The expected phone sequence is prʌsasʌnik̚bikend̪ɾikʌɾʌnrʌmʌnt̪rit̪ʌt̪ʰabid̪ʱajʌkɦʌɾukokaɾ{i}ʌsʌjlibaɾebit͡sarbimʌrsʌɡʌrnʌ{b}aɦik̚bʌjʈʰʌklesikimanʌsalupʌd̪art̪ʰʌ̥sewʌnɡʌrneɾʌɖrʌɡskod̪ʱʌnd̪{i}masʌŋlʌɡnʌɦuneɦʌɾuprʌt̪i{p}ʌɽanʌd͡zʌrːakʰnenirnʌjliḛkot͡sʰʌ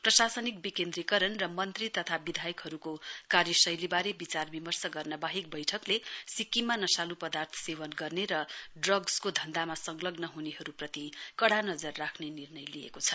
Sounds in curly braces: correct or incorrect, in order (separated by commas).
incorrect, correct, incorrect, incorrect